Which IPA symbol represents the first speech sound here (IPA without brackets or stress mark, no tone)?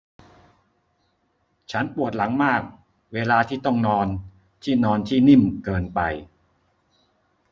t͡ɕʰ